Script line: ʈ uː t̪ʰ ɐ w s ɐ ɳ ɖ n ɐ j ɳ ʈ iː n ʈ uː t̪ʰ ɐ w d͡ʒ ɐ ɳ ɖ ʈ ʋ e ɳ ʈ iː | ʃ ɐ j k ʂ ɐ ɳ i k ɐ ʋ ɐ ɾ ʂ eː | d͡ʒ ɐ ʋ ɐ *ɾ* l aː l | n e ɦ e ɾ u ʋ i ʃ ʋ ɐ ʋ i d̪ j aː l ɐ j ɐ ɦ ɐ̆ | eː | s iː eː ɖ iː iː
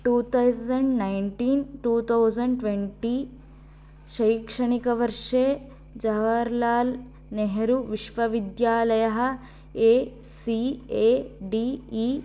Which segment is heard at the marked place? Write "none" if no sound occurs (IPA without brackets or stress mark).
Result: ɾ